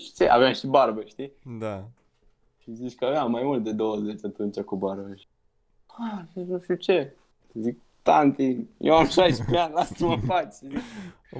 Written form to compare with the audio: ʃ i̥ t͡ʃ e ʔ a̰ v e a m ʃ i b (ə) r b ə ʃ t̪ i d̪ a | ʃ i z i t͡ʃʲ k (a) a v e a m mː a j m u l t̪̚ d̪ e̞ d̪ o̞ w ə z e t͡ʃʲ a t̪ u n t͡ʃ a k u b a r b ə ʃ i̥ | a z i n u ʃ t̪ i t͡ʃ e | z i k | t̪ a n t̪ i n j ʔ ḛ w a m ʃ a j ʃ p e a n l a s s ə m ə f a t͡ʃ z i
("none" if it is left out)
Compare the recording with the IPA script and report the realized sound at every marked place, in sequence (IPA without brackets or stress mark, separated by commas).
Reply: a, ə